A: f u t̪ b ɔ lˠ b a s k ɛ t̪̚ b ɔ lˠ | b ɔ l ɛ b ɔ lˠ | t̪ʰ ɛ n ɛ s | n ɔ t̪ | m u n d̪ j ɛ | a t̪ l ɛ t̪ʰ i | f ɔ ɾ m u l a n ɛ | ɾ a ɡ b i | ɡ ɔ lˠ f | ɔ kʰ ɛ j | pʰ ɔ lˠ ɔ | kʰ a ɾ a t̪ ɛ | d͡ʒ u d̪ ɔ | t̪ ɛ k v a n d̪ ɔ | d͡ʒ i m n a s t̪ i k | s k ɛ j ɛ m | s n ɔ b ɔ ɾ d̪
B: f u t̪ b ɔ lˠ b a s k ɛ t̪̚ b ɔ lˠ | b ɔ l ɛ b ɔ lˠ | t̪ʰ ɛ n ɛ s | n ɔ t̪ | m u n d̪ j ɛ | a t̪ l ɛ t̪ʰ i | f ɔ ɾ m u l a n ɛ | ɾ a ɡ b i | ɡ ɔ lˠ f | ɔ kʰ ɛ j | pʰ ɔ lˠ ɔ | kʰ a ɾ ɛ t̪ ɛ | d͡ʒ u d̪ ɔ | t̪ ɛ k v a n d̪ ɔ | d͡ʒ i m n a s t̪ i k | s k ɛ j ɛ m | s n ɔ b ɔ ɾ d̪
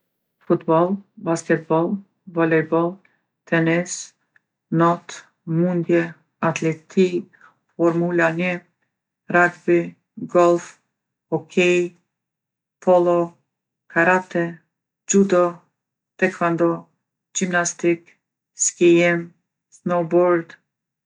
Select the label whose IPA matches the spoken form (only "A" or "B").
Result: A